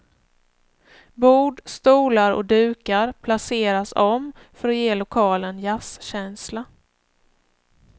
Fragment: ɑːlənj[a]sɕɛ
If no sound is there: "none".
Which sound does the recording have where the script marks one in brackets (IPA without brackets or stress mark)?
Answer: a